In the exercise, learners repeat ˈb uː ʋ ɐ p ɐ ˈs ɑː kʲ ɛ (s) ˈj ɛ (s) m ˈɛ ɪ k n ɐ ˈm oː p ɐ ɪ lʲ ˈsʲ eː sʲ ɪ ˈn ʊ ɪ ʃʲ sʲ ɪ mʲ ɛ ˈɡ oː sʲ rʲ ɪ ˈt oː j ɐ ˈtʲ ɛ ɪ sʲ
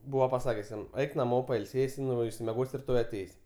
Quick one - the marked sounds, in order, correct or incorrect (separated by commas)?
correct, incorrect